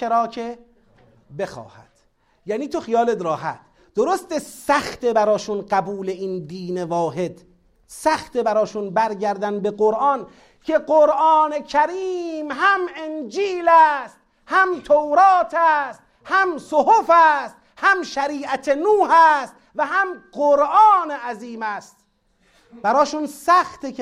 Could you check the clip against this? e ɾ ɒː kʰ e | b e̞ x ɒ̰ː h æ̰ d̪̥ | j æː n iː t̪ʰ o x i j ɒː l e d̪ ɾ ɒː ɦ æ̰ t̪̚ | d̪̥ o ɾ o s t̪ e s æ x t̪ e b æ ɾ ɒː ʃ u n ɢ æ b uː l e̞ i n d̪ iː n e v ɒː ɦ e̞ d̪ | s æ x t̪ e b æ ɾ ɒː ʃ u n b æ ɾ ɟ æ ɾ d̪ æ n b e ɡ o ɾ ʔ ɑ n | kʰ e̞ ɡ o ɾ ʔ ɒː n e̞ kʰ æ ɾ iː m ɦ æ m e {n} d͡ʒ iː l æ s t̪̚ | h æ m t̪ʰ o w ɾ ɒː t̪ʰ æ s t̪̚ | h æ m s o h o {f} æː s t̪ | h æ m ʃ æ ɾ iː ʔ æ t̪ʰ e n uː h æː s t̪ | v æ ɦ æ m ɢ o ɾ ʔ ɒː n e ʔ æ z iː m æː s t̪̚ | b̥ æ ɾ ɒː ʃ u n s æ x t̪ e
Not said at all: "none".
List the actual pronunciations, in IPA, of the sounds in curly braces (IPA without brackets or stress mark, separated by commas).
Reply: n, f